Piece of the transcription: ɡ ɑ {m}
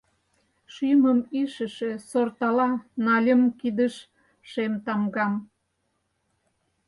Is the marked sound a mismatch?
no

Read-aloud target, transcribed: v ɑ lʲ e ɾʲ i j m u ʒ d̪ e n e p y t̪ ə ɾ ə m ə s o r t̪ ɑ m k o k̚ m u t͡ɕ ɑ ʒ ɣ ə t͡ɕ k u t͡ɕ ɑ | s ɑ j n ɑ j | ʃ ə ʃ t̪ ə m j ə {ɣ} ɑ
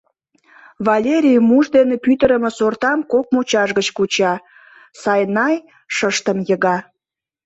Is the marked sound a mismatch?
no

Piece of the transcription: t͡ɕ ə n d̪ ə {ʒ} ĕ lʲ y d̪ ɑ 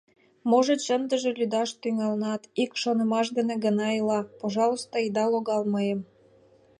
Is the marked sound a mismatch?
no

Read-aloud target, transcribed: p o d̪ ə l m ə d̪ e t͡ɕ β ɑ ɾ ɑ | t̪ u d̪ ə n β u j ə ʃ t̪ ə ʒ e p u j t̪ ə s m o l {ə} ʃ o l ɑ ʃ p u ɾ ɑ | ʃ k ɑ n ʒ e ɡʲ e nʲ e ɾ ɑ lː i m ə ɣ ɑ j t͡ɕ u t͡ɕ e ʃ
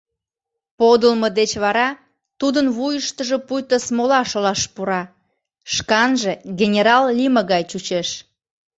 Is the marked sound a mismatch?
yes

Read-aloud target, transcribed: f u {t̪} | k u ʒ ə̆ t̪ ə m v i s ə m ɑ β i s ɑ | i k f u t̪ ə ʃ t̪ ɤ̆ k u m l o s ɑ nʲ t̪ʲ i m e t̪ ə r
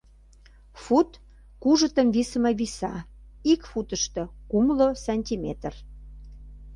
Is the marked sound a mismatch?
no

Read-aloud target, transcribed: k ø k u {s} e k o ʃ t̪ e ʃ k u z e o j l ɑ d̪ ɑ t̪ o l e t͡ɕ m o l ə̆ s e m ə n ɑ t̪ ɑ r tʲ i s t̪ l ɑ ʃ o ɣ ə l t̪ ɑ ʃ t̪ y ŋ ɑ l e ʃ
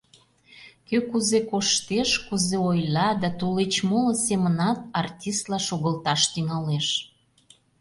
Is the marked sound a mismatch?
yes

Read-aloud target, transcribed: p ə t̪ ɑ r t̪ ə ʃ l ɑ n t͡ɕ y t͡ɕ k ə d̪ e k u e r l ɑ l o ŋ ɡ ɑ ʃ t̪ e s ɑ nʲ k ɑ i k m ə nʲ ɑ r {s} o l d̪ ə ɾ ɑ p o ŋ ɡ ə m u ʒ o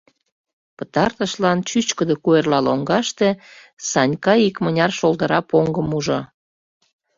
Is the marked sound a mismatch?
yes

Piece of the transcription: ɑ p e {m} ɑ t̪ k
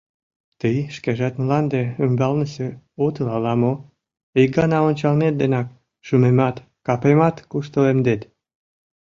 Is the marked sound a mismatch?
no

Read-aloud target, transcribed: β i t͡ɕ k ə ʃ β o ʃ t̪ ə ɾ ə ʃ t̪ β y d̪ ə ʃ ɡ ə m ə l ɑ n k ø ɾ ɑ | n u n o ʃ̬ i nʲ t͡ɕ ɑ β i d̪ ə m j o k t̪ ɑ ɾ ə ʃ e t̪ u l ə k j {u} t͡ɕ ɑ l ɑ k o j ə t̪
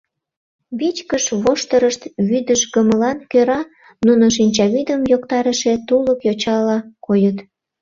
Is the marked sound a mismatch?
yes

